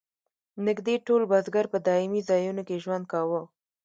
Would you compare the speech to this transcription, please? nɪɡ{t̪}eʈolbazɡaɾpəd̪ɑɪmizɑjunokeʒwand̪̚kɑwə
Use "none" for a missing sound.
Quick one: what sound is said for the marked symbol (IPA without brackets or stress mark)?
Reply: d̪